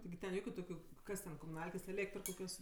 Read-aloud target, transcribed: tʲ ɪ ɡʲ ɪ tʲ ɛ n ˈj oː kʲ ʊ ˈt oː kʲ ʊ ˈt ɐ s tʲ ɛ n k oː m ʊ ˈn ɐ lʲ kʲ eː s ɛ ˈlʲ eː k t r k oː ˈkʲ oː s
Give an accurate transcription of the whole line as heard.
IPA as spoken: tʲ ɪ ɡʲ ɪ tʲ ɛ n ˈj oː kʲ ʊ ˈt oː kʲ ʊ ˈk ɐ s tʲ ɛ n k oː m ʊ ˈn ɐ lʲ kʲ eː s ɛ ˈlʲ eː k t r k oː ˈkʲ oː s

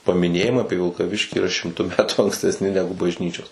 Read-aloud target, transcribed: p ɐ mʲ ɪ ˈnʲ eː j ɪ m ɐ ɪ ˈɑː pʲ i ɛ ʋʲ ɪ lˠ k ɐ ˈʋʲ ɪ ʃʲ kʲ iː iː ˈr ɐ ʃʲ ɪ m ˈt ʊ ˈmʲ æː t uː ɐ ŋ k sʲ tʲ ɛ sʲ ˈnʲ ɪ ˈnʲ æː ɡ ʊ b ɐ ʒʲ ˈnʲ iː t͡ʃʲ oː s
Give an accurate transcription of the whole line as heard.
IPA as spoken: p ɐ mʲ ɪ ˈnʲ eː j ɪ m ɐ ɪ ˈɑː pʲ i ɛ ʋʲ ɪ lˠ k ɐ ˈʋʲ ɪ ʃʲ kʲ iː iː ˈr ɐ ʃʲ ɪ m ˈt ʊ ˈmʲ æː t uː ɐ ŋ k sʲ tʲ ɛ sʲ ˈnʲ ɪ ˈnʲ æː ɡ ʊ b ɐ ʒʲ ˈnʲ iː t͡ʃʲ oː s

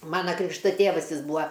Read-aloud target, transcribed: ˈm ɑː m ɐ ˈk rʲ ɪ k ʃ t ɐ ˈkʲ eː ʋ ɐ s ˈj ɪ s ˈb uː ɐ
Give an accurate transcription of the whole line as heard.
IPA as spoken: ˈm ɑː n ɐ ˈk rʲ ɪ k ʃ t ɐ ˈtʲ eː ʋ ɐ s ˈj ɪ s ˈb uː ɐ

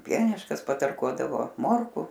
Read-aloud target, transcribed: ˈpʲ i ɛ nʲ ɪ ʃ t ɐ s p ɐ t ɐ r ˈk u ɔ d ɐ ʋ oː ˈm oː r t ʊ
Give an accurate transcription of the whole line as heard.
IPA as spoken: ˈpʲ i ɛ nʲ ɪ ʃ k ɐ s p ɐ t ɐ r ˈk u ɔ d ɐ ʋ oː ˈm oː r k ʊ

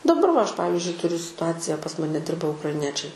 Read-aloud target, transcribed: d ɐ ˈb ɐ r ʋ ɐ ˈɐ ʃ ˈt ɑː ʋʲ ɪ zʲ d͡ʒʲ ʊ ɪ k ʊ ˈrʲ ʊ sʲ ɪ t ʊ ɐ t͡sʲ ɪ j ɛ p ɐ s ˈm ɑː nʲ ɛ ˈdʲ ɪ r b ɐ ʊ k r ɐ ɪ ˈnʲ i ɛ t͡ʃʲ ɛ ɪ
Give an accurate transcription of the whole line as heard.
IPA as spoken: d ɐ ˈb ɐ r ʋ ɐ ˈɐ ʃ ˈp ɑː ʋʲ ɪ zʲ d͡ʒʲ ʊ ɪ t ʊ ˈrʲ ʊ sʲ ɪ t ʊ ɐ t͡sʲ ɪ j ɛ p ɐ s ˈm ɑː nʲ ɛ ˈdʲ ɪ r b ɐ ʊ k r ɐ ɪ ˈnʲ i ɛ t͡ʃʲ ɛ ɪ

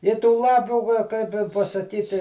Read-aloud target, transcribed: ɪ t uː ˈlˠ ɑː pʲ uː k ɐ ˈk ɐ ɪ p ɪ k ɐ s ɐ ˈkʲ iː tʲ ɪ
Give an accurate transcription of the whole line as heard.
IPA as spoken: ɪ t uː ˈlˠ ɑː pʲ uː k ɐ ˈk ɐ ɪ p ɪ p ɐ s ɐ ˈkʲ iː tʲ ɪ

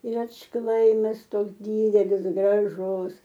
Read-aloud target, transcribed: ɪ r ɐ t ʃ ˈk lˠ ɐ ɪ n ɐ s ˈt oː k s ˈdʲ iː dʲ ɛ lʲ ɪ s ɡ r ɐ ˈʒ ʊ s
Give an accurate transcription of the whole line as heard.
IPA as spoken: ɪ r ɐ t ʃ ˈk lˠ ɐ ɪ m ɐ s ˈt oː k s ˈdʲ iː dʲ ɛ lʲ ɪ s ɡ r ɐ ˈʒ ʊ s

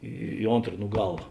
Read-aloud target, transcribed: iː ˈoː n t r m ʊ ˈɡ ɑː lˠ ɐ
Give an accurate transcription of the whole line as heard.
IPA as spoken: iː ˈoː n t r n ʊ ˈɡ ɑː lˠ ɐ

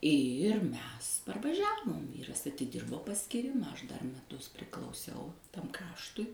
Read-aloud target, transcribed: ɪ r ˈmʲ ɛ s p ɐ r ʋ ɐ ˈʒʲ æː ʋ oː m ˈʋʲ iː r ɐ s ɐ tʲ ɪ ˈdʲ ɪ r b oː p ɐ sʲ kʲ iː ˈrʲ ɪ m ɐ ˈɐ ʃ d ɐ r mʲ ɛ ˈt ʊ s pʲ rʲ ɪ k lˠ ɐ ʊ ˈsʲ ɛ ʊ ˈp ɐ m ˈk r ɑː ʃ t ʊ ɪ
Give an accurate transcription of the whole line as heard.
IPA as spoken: ɪ r ˈmʲ ɛ s p ɐ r ʋ ɐ ˈʒʲ æː ʋ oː m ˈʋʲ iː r ɐ s ɐ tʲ ɪ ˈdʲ ɪ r b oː p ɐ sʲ kʲ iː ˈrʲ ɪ m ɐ ˈɐ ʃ d ɐ r mʲ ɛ ˈt ʊ s pʲ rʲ ɪ k lˠ ɐ ʊ ˈsʲ ɛ ʊ ˈt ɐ m ˈk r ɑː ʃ t ʊ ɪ

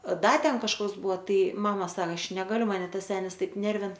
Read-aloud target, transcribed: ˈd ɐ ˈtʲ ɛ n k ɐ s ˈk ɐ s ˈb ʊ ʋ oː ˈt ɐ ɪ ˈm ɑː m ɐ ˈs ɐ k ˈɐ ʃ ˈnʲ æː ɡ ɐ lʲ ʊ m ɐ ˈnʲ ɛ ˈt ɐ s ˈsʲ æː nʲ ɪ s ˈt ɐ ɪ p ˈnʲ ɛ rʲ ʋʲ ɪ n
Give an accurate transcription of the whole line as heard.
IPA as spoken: ˈd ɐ ˈtʲ ɛ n k ɐ ʃ ˈk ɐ s ˈb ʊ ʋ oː ˈt ɐ ɪ ˈm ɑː m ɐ ˈs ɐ k ˈɐ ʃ ˈnʲ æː ɡ ɐ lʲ ʊ m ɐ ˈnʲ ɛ ˈt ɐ s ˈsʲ æː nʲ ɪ s ˈt ɐ ɪ p ˈnʲ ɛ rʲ ʋʲ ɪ n

